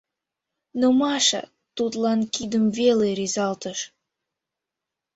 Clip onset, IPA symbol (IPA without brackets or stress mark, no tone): n